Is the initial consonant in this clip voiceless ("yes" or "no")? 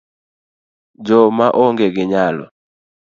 no